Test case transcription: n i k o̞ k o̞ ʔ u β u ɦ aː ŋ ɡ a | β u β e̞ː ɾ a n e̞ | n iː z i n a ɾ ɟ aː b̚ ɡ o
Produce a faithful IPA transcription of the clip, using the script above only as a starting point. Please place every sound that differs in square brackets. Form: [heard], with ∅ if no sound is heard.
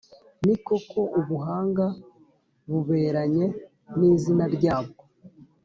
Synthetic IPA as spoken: n i k o̞ k o̞ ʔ u β u ɦ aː ŋ ɡ a | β u β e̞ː ɾ a [ɲ] e̞ | n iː z i n a ɾ ɟ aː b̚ ɡ o